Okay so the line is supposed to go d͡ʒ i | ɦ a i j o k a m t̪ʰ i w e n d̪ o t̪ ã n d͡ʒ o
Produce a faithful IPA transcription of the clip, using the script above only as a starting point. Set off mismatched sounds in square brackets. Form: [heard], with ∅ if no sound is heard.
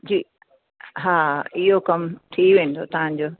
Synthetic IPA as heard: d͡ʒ i | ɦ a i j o k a m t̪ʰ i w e n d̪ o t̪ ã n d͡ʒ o

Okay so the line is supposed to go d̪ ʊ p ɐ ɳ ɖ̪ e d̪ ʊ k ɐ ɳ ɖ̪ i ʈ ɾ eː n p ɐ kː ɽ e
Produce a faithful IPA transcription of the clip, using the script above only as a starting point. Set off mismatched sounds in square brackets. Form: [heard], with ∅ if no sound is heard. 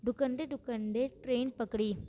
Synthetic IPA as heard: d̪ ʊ [k] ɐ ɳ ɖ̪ e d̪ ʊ k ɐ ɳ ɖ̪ [e] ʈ ɾ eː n p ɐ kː ɽ [i]

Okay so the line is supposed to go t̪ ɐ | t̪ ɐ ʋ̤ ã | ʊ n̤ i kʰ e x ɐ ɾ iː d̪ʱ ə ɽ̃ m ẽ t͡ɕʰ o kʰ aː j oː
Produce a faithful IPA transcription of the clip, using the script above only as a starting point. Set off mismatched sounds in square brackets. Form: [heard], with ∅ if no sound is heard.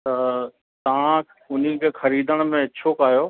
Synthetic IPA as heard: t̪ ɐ | t̪ ɐ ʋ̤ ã | ʊ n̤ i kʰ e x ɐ ɾ iː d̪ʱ ə ɽ̃ m ẽ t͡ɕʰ o [k] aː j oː

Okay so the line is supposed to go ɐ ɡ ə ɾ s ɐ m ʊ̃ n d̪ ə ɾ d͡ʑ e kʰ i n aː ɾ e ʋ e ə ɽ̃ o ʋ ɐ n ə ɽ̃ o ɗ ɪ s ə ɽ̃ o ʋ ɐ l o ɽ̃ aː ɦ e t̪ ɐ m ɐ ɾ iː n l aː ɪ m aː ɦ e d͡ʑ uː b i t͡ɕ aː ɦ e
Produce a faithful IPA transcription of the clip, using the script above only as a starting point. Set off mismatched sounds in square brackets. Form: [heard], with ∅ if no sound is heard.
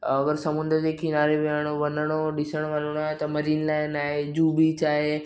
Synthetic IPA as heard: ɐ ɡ ə ɾ s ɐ m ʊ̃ n d̪ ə ɾ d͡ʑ e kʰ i n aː ɾ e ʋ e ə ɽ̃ o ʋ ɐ n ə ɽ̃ o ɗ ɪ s ə ɽ̃ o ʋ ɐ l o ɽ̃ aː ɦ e t̪ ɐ m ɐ ɾ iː n l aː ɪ [n] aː ɦ e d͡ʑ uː b i t͡ɕ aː ɦ e

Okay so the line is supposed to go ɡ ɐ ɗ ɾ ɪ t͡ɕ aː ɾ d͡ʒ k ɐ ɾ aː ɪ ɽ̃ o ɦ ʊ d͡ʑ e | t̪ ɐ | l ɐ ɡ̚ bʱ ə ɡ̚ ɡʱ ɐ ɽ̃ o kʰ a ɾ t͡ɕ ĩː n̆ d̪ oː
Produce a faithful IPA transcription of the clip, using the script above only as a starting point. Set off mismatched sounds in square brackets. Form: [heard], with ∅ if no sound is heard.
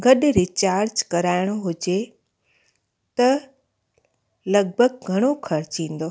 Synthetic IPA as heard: ɡ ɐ ɗ ɾ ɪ t͡ɕ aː ɾ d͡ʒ k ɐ ɾ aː ɪ ɽ̃ o ɦ ʊ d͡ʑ e | t̪ ɐ | l ɐ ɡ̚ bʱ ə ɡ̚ ɡʱ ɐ ɽ̃ o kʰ [ɐ] ɾ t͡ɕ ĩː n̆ d̪ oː

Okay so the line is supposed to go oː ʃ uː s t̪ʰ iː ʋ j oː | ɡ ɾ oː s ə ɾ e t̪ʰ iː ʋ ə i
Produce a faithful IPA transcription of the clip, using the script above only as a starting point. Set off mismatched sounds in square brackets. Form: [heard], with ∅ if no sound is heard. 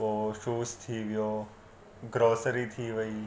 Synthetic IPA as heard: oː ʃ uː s t̪ʰ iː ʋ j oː | ɡ ɾ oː s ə ɾ [i] t̪ʰ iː ʋ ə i

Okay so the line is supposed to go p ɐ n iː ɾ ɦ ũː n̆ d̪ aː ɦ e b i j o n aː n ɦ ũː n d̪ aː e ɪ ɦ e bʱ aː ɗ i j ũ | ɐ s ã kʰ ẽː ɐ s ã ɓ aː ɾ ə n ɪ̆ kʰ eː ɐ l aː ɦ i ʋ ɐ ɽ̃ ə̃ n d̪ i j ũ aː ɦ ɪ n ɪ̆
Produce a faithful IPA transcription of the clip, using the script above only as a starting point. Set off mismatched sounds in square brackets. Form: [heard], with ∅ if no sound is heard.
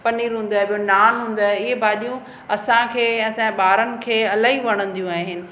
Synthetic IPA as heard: p ɐ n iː ɾ ɦ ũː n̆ d̪ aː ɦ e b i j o n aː n ɦ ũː n d̪ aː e ɪ ɦ e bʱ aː ɗ i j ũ | ɐ s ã kʰ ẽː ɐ s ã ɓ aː ɾ ə n ɪ̆ kʰ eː ɐ l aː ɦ i ʋ ɐ ɽ̃ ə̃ n d̪ i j ũ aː ɦ ɪ n ɪ̆

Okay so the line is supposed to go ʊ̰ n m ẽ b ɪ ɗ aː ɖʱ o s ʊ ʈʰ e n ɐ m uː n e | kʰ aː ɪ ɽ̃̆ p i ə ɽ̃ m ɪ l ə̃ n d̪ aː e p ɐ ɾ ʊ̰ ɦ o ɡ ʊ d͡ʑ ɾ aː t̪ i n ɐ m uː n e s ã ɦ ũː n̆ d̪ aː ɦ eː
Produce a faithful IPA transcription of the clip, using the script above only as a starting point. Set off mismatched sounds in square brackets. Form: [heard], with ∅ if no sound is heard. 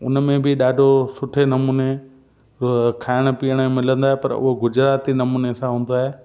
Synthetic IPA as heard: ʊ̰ n m ẽ b ɪ ɗ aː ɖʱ o s ʊ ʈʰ e n ɐ m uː n e | kʰ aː ɪ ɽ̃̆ p i ə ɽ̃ m ɪ l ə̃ n d̪ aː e p ɐ ɾ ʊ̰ ɦ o ɡ ʊ d͡ʑ ɾ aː t̪ i n ɐ m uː n e s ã ɦ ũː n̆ d̪ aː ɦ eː

